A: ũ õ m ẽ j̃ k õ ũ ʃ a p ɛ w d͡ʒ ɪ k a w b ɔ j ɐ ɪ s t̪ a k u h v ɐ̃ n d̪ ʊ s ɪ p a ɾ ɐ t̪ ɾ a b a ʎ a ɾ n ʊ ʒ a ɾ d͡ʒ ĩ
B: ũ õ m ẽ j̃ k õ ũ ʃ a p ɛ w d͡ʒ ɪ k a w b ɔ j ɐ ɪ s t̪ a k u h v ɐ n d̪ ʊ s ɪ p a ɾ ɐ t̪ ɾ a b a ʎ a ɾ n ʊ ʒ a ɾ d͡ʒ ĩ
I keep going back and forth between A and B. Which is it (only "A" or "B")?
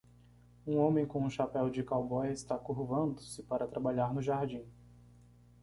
A